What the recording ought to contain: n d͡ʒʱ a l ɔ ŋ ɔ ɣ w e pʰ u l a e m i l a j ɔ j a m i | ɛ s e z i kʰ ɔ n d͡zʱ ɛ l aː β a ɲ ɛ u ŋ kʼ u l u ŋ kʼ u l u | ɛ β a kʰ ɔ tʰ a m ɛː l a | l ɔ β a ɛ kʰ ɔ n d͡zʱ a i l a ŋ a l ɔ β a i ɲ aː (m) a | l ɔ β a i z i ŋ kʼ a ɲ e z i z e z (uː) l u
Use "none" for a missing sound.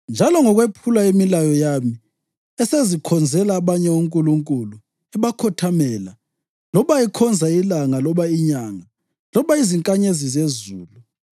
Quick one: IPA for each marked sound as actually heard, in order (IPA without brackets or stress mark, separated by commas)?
ŋ, uː